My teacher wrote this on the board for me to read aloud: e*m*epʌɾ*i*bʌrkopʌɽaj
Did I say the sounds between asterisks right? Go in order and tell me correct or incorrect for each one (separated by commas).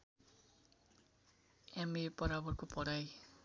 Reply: correct, incorrect